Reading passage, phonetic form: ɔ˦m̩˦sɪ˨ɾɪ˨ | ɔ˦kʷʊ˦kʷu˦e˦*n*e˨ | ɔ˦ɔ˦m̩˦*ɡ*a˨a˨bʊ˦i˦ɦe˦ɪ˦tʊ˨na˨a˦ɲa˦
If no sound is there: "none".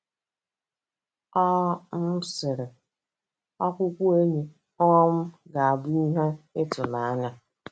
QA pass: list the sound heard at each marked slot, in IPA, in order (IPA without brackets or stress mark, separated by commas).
ɲ, ɡ